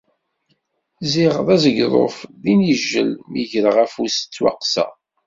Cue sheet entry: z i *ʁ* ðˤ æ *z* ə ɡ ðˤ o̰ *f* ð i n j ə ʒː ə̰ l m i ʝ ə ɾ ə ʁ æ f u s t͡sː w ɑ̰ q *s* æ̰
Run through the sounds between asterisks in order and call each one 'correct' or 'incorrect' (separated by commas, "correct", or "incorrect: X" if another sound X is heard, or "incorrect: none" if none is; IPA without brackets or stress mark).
correct, correct, correct, correct